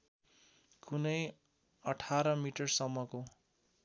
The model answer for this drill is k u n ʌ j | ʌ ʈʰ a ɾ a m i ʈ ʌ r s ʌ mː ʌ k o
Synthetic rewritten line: k u n ʌ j | ʌ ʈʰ a ɾ ʌ m i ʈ ʌ r s ʌ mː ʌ k o